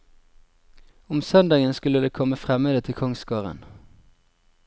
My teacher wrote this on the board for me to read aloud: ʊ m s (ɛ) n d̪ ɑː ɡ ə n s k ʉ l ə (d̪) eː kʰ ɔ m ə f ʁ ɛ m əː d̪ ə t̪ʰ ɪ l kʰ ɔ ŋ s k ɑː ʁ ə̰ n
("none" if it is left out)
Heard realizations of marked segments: œ, d̪

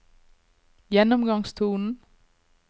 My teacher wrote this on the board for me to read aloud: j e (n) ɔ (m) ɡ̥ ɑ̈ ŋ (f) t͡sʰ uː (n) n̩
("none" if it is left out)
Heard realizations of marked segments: n, m, s, n

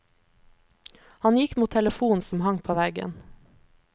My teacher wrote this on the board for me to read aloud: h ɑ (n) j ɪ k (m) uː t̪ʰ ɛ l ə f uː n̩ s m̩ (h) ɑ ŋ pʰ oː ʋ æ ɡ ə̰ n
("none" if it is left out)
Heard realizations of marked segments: n, m, h

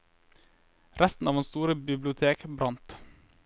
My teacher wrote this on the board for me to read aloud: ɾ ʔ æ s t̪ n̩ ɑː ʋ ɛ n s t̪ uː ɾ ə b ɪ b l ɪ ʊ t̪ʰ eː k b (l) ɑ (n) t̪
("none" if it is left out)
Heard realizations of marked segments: ɾ, n

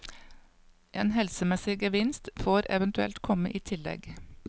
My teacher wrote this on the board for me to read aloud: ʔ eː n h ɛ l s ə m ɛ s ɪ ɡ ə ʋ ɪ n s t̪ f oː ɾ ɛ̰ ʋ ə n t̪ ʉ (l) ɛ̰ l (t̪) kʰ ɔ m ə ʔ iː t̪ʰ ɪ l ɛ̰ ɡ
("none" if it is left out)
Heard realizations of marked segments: none, t̪

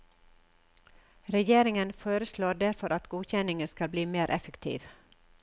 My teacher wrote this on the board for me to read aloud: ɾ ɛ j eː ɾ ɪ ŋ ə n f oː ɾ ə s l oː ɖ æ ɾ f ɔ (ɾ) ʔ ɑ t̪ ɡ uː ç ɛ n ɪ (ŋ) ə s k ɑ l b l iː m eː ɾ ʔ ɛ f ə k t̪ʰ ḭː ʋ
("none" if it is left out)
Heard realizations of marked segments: ɾ, ŋ

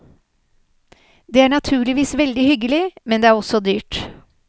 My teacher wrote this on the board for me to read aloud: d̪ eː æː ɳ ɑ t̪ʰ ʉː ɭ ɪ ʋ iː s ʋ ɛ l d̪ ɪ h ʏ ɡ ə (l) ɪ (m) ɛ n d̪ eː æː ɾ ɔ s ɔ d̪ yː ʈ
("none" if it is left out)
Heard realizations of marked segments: l, m

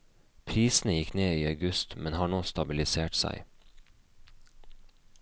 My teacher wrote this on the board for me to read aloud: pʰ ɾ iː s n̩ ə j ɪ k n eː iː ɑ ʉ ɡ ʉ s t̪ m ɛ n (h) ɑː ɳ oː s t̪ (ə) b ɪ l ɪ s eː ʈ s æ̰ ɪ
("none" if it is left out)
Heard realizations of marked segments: h, ɑ

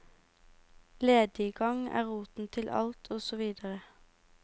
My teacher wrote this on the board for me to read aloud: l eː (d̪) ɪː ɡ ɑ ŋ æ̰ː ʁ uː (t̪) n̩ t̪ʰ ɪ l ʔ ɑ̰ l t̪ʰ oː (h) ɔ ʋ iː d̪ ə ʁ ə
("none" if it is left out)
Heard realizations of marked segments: d̪, t̪, s

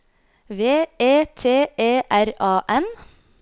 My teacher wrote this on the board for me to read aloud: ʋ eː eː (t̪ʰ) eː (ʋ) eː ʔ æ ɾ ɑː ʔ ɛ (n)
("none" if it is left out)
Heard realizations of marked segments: t̪ʰ, none, n

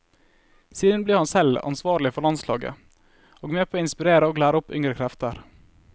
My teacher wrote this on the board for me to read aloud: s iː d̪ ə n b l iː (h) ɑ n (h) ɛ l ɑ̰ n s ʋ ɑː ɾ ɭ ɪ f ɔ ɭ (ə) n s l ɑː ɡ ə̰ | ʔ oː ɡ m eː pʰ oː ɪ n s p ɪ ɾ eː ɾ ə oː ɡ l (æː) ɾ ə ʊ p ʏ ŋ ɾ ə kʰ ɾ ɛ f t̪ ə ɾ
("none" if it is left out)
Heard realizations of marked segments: h, s, ɑ, æː

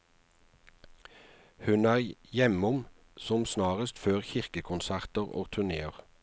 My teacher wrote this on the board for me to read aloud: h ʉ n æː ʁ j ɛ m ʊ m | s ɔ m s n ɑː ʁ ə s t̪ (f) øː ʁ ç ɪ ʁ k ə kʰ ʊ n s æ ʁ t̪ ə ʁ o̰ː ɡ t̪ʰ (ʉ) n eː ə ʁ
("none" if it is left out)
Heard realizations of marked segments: f, ʉ

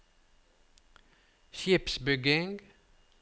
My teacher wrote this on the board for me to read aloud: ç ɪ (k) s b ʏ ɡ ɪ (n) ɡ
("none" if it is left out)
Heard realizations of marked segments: p, ŋ

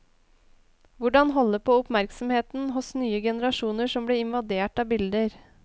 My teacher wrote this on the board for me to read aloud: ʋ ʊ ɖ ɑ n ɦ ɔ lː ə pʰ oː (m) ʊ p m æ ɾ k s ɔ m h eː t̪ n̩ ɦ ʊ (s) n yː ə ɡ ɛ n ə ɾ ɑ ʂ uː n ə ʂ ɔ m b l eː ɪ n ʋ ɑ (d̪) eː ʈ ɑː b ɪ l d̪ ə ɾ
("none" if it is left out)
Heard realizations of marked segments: none, s, d̪

